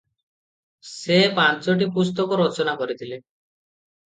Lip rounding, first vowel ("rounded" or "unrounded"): unrounded